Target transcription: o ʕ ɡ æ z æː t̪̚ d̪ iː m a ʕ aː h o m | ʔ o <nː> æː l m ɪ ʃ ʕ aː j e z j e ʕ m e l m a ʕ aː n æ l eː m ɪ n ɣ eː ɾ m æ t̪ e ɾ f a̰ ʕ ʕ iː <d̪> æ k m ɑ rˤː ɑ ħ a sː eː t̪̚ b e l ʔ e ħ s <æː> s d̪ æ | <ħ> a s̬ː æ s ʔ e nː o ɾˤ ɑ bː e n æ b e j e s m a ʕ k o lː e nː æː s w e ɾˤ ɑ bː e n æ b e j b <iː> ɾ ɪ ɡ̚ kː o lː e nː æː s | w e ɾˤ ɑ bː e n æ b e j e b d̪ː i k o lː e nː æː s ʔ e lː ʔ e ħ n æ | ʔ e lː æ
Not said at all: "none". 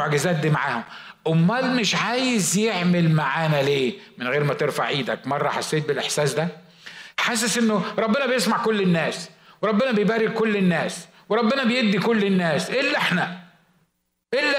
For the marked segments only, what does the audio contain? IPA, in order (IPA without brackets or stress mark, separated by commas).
mː, d̪, æː, ħ, æː